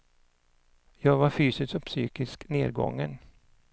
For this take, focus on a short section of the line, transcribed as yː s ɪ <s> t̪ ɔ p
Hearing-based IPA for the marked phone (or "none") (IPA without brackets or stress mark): s